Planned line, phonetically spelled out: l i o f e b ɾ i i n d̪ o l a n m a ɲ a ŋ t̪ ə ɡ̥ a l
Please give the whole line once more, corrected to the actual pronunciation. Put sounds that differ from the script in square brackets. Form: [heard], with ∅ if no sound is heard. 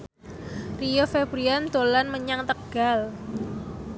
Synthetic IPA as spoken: [r] i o f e b ɾ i [a] n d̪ o l a n m [ə] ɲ a ŋ t̪ ə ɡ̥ a l